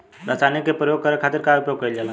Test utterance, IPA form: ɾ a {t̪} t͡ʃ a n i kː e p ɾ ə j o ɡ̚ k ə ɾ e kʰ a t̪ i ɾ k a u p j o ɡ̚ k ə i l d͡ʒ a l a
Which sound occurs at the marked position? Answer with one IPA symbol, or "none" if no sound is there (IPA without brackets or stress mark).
none